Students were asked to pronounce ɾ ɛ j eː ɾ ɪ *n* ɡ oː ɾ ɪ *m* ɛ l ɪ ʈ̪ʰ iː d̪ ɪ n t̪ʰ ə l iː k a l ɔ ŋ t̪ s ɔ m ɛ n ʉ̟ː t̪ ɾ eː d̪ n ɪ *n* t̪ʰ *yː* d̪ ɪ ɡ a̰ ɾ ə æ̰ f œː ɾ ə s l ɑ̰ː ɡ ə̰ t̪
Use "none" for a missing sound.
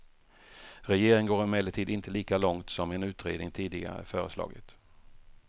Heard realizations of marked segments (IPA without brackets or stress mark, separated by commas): ŋ, m, ŋ, iː